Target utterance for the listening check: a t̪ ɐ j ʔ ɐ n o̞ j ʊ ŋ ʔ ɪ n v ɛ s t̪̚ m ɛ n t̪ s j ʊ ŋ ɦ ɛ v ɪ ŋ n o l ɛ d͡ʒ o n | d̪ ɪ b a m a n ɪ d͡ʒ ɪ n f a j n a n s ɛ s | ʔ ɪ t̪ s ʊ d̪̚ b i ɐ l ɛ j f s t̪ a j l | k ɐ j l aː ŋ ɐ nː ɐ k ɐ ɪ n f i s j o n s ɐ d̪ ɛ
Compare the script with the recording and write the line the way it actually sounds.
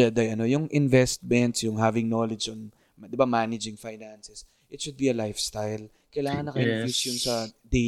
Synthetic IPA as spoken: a d̪ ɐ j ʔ ɐ n o̞ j ʊ ŋ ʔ ɪ n v ɛ s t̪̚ m ɛ n t̪ s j ʊ ŋ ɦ a v ɪ ŋ n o l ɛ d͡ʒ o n | d̪ ɪ b a m a n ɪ d͡ʒ ɪ ŋ f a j n a n s ɛ s | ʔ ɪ t̪ ʃ ʊ d̪̚ b i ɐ l a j f s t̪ a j l | k ɐ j l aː ŋ ɐ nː ɐ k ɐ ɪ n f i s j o n s ɐ d̪ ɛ